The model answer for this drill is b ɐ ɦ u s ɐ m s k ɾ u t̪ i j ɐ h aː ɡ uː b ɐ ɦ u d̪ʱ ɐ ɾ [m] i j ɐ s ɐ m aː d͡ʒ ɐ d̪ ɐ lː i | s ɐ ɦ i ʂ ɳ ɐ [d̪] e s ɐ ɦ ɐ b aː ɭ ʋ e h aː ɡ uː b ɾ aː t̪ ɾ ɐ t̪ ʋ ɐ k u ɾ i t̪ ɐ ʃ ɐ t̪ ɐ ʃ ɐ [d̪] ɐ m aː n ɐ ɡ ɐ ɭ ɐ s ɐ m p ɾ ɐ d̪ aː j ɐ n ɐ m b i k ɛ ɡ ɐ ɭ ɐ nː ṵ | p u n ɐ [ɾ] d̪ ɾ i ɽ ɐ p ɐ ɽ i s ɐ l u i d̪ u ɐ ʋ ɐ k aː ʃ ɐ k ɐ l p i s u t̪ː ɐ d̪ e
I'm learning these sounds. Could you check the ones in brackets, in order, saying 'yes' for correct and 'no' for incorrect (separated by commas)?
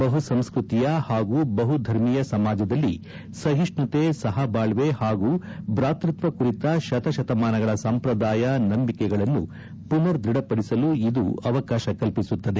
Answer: yes, no, no, yes